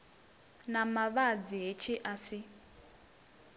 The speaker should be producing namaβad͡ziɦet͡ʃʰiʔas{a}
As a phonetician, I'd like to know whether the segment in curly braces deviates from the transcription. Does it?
yes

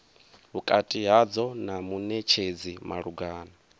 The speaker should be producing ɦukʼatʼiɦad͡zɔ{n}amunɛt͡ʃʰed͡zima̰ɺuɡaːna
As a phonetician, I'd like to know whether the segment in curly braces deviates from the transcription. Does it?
no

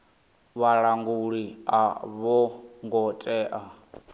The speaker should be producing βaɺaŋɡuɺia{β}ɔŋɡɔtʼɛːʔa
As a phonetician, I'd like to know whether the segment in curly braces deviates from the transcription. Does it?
no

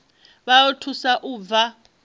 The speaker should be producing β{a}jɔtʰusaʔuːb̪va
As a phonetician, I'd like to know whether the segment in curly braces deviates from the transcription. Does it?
no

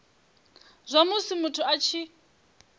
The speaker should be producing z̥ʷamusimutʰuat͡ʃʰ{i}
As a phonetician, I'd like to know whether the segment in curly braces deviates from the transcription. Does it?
no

